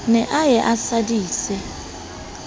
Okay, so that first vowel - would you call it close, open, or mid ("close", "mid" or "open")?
mid